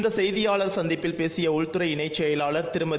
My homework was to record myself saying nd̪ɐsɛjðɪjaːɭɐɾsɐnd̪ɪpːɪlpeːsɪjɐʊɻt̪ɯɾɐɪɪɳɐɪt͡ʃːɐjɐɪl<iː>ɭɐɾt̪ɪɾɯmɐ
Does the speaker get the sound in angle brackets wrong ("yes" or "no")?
yes